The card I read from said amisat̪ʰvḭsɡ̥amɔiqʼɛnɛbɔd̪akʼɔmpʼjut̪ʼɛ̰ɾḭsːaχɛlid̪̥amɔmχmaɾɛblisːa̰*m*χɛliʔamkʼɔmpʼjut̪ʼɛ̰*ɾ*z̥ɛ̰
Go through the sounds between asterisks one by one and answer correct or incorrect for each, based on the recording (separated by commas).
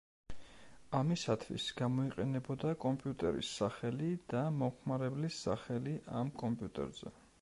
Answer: incorrect, correct